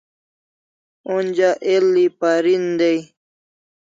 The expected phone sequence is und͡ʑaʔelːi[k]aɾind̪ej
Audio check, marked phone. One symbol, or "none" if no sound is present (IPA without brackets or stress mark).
p